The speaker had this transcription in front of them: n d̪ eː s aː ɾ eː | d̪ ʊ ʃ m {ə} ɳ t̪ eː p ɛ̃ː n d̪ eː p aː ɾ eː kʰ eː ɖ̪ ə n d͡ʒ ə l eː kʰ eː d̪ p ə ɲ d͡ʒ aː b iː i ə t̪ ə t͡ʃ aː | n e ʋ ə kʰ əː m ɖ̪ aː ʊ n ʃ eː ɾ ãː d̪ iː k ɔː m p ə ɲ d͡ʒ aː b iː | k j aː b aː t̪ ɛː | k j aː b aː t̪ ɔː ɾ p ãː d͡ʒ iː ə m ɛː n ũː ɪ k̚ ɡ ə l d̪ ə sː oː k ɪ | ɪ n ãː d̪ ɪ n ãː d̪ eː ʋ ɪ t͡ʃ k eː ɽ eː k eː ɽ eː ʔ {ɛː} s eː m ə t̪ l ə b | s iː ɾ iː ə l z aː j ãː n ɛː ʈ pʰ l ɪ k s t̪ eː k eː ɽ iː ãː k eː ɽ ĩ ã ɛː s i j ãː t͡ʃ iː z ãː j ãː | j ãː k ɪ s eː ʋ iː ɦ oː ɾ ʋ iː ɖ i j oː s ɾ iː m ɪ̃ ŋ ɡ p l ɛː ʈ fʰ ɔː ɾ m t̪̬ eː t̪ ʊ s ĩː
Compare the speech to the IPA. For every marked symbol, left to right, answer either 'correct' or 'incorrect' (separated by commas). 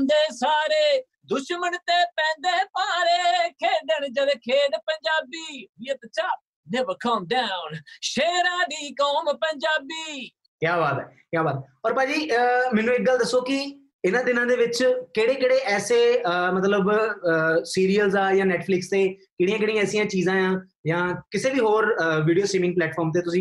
correct, correct